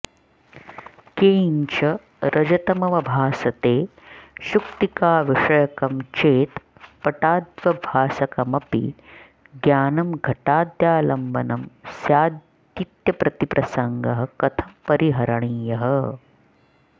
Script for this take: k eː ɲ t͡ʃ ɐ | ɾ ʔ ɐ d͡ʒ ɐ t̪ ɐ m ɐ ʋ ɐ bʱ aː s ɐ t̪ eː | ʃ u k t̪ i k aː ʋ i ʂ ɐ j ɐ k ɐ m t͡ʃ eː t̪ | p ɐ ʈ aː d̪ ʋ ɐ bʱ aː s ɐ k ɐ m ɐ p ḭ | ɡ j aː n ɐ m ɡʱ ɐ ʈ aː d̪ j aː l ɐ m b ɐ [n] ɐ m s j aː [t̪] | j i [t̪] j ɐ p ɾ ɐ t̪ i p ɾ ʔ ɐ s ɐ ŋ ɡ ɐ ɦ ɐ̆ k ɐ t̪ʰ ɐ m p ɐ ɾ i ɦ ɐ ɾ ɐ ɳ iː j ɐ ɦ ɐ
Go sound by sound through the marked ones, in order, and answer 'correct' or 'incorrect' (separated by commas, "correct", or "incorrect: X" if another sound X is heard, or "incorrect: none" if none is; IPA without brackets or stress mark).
correct, incorrect: d̪, correct